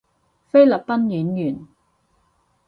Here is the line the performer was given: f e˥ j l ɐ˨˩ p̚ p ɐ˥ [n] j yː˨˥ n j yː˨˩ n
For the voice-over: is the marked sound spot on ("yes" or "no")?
yes